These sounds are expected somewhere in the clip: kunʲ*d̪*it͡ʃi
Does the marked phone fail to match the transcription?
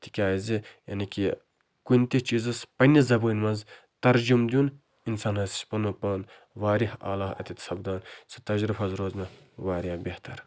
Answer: yes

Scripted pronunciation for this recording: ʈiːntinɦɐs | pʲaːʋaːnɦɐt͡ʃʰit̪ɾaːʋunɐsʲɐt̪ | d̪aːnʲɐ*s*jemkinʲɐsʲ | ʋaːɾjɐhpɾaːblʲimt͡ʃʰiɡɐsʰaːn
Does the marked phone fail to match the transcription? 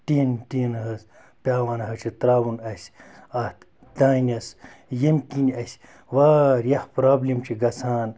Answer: no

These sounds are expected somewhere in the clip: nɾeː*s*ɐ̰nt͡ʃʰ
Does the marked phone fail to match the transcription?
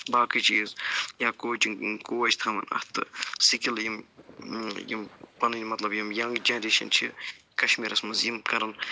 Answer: yes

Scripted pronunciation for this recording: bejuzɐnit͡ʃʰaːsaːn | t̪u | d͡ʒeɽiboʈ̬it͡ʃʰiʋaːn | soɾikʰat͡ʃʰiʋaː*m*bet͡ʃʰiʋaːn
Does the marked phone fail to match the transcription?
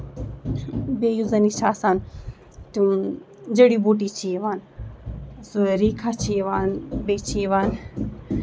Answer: yes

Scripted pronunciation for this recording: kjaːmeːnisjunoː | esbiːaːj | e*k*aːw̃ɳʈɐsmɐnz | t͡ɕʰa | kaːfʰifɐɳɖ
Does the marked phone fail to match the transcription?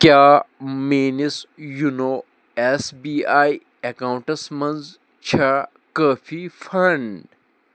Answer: no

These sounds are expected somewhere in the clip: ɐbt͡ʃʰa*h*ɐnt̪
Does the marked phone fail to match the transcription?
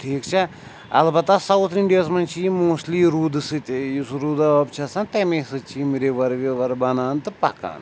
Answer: yes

